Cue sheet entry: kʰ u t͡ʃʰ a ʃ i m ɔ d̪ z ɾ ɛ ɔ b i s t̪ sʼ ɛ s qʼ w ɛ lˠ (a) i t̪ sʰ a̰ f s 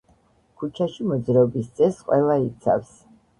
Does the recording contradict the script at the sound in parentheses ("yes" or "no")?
no